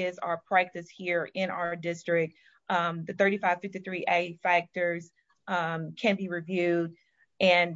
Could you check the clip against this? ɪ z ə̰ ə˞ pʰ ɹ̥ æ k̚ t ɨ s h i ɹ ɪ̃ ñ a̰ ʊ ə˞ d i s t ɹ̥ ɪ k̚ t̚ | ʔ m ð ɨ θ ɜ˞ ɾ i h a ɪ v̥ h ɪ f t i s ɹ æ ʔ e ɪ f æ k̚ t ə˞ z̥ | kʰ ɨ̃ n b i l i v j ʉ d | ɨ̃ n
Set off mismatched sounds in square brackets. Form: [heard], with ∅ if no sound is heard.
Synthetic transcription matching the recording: ɪ z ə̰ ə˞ pʰ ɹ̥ æ k̚ t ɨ s h i ɹ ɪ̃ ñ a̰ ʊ ə˞ d [ɪ] s t ɹ̥ ɪ k̚ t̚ | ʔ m ð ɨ θ ɜ˞ ɾ i [f] a ɪ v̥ [f] ɪ f t i [θ] ɹ [i] ʔ e ɪ f æ k̚ t ə˞ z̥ | kʰ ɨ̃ n b i [ɹ] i v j ʉ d | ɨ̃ n